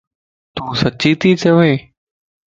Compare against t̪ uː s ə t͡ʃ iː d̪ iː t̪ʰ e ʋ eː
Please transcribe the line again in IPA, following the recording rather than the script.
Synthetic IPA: t̪ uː s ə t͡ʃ iː t̪ iː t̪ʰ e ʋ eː

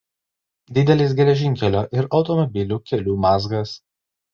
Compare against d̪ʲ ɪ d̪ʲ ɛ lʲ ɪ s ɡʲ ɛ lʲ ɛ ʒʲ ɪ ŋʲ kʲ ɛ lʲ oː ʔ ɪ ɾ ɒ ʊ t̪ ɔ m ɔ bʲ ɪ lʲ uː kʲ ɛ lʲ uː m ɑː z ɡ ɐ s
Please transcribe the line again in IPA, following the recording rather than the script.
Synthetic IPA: d̪ʲ ɪ d̪ʲ ɛ lʲ ɪ s ɡʲ ɛ lʲ ɛ ʒʲ ɪ ŋʲ kʲ ɛ lʲ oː ʔ ɪ ɾ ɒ ʊ t̪ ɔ m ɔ bʲ ɪ lʲ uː kʲ ɛ lʲ uː m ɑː z ɡ ɐ s

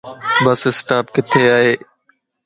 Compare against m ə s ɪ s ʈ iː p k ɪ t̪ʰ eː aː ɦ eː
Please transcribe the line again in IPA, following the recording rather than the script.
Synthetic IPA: b ə s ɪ s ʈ aː p k ɪ t̪ʰ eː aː ɦ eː

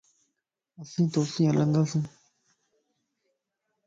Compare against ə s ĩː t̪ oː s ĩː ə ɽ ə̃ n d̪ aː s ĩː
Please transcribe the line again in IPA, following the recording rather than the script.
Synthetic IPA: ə s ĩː t̪ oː s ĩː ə l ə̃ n d̪ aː s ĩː

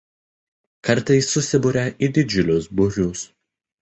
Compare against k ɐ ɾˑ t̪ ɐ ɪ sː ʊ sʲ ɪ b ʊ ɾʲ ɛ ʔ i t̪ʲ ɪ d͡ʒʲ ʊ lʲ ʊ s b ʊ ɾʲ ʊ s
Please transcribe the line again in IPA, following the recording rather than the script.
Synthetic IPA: k ɐ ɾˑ t̪ ɐ ɪ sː ʊ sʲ ɪ b ʊ ɾʲ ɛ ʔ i d̪ʲ ɪ d͡ʒʲ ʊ lʲ ʊ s b ʊ ɾʲ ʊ s

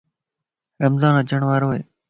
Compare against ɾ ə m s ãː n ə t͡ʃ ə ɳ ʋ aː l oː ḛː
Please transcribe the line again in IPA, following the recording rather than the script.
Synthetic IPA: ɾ ə m z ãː n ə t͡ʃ ə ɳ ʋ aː ɾ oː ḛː

